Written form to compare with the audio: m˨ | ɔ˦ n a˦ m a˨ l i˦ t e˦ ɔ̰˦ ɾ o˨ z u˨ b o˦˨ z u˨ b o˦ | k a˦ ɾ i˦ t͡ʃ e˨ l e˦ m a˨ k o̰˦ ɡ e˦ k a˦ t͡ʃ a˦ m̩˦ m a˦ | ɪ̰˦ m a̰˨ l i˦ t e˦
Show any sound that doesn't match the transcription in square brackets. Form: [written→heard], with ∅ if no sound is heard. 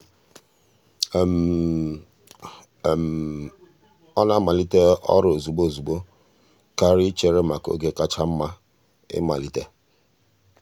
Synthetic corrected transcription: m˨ | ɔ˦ n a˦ m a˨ l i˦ t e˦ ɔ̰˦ ɾ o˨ z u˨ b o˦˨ z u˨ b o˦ | k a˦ ɾ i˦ t͡ʃ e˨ [l→ɾ] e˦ m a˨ k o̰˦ ɡ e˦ k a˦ t͡ʃ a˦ m̩˦ m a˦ | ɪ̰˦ m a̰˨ l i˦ t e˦

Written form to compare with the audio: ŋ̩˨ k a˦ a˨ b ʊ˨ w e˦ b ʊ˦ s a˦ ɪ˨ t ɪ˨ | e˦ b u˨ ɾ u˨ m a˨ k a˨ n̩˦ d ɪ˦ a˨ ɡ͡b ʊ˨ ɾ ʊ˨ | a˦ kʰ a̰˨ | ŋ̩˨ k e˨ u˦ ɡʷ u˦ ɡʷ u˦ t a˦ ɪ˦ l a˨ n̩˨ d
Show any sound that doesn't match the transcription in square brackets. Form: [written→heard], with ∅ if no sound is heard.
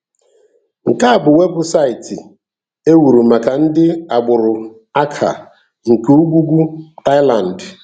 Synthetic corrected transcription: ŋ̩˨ k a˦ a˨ b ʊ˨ w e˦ b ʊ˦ s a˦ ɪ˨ t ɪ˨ | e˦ [b→w] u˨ ɾ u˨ m a˨ k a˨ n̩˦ d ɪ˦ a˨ ɡ͡b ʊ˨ ɾ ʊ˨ | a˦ kʰ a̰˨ | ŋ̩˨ k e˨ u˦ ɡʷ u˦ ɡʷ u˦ t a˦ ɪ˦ l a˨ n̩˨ d

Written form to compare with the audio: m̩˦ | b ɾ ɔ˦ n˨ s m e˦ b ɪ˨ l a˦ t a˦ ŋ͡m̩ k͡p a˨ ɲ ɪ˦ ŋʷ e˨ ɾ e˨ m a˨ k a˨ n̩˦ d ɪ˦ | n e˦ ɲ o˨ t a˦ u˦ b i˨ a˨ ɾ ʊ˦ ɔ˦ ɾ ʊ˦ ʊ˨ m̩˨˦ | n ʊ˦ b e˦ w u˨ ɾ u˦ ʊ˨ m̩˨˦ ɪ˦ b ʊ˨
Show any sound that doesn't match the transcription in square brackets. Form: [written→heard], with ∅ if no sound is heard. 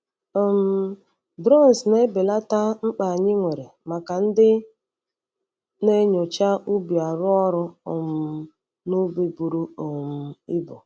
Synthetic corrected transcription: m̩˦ | b ɾ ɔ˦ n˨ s [m→n] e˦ b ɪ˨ l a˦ t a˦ ŋ͡m̩ k͡p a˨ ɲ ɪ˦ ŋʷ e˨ ɾ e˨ m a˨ k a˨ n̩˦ d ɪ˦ | n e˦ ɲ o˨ [t→t͡ʃ] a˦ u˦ b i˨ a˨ ɾ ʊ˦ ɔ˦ ɾ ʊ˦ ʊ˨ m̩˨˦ | n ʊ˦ b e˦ [w→b] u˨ ɾ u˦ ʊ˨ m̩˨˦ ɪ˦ b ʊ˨

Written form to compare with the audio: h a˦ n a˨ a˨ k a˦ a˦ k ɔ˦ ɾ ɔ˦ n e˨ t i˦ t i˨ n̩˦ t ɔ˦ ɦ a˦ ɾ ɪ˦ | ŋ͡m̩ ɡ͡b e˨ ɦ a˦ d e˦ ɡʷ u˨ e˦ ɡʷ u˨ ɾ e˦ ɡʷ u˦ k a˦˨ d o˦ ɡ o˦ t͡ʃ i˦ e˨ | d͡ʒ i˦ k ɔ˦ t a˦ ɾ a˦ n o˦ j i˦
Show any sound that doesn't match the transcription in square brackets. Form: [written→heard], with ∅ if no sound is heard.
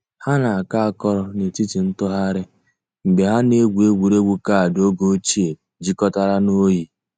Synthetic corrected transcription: h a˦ n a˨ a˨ k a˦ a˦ k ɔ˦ ɾ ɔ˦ n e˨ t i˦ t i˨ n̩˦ t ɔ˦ ɦ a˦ ɾ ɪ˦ | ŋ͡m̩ ɡ͡b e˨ ɦ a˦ [d→n] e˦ ɡʷ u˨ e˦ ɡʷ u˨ ɾ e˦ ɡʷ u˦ k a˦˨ d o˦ ɡ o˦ t͡ʃ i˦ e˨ | d͡ʒ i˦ k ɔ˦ t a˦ ɾ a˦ n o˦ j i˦

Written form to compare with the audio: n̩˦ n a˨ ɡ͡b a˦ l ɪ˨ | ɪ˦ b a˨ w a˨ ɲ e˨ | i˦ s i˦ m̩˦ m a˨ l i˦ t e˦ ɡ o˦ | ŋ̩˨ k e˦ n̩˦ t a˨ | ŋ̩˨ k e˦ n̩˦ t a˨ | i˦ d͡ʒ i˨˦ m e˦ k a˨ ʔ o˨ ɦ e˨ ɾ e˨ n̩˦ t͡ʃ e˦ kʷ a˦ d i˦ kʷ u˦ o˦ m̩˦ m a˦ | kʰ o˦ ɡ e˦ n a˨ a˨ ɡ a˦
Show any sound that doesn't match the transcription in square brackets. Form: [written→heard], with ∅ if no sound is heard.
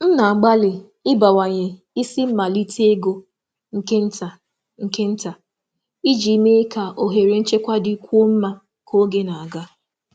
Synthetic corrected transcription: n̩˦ n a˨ ɡ͡b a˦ l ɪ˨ | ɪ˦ b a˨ w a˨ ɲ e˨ | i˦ s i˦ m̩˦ m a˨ l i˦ t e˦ ɡ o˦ | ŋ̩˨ k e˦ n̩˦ t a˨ | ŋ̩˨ k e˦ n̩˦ t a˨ | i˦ d͡ʒ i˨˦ m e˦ k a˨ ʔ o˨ ɦ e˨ ɾ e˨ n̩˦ t͡ʃ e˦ kʷ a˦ d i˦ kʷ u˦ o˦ m̩˦ m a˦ | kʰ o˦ ɡ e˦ n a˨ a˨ ɡ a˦

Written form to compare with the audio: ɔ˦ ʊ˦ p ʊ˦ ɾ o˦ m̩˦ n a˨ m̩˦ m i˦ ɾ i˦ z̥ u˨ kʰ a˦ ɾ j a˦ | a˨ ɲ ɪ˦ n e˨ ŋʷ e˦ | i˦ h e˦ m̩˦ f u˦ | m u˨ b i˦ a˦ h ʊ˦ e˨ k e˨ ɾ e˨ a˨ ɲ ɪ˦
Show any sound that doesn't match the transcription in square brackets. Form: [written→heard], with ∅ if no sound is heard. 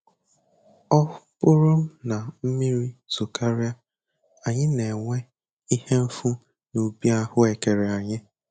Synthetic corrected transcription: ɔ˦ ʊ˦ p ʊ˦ ɾ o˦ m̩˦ n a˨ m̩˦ m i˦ ɾ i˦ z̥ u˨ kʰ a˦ ɾ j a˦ | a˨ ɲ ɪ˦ n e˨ ŋʷ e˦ | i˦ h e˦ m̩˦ f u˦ | [m→n] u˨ b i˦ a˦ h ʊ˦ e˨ k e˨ ɾ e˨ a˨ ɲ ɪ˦

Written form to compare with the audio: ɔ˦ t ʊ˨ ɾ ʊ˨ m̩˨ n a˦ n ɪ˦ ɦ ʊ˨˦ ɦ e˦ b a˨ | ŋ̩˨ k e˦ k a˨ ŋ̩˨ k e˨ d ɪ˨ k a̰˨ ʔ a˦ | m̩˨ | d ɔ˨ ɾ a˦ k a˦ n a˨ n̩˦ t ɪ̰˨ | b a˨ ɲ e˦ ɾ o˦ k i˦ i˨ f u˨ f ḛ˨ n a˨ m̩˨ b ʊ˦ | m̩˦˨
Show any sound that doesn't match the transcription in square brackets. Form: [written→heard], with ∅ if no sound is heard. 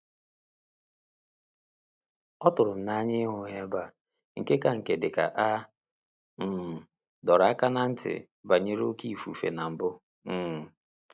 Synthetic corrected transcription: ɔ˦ t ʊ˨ ɾ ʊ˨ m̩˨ n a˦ [n→ɲ] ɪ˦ ɦ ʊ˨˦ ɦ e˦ b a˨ | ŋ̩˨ k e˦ k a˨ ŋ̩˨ k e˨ d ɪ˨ k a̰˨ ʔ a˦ | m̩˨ | d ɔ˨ ɾ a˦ k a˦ n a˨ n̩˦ t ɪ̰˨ | b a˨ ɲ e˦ ɾ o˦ k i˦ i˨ f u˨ f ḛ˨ n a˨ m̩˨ b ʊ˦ | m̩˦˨

